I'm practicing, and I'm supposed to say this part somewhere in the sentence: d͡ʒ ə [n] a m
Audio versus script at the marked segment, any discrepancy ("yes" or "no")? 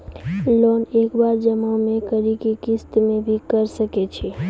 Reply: yes